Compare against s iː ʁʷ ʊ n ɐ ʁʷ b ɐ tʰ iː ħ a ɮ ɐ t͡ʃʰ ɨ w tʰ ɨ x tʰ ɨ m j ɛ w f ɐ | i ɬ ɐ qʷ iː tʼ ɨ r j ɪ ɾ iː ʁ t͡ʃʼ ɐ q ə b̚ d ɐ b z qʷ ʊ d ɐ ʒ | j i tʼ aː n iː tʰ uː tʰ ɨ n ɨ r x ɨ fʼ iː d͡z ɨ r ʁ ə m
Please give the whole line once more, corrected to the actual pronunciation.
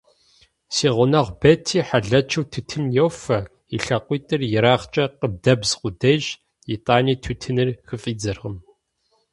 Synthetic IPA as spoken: s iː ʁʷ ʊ n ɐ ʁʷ b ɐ tʰ iː ħ a ɮ ɐ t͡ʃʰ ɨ w tʰ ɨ tʰ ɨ m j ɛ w f ɐ | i ɬ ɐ qʷ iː tʼ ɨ r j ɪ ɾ aː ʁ t͡ʃʼ ɐ q ə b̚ d ɐ b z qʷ ʊ d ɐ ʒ | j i tʼ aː n iː tʰ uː tʰ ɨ n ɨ r x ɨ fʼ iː d͡z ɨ r ʁ ə m

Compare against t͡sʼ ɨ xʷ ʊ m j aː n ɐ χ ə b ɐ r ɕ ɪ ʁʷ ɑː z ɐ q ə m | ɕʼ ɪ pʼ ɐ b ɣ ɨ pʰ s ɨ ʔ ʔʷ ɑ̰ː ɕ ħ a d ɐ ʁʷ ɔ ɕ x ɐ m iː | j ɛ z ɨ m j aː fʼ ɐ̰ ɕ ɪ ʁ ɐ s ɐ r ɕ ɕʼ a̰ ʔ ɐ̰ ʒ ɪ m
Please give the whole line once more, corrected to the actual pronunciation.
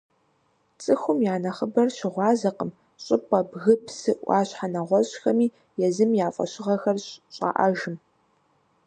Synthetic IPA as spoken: t͡sʼ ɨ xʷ ʊ m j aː n ɐ χ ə b ɐ r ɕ ɪ ʁʷ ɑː z ɐ q ə m | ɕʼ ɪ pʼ ɐ b ɣ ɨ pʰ s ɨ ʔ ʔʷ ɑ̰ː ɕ ħ a n ɐ ʁʷ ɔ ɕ x ɐ m iː | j ɛ z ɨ m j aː fʼ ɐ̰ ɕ ɪ ʁ ɐ x ɐ r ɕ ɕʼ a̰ ʔ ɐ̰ ʒ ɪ m

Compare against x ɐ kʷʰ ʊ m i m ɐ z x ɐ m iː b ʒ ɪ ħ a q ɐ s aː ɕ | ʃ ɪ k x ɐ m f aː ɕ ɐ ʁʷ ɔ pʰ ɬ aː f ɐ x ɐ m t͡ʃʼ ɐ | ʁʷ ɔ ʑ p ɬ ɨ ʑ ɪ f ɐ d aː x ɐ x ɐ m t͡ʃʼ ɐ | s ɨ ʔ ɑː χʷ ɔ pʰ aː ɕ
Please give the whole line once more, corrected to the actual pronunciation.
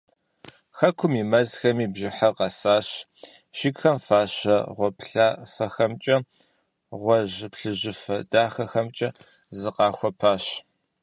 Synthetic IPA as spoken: x ɐ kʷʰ ʊ m i m ɐ z x ɐ m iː b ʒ ɪ ħ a q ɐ s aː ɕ | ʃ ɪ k x ɐ m f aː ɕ ɐ ʁʷ ɔ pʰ ɬ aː f ɐ x ɐ m t͡ʃʼ ɐ | ʁʷ ɔ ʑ p ɬ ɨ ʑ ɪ f ɐ d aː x ɐ x ɐ m t͡ʃʼ ɐ | z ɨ q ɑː xʷ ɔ pʰ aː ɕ

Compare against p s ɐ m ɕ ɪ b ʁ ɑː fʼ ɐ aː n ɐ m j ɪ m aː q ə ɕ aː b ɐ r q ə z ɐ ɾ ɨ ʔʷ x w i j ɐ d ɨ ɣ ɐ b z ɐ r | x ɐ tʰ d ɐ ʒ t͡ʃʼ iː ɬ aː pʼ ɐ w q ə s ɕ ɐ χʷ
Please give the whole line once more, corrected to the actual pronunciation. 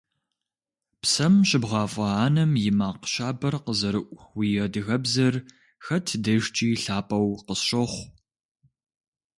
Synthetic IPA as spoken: p s ɐ m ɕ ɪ b ʁ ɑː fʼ ɐ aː n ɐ m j ɪ m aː q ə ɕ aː b ɐ r q ə z ɐ ɾ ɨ ʔʷ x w i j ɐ d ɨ ɣ ɐ b z ɐ r | x ɐ tʰ d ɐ ʒ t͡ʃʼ iː ɬ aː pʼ ɐ w q ə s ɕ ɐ χʷ

